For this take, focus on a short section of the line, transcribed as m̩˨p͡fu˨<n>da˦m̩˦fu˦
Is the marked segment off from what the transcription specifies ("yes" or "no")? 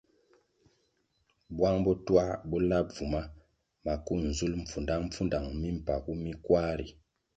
no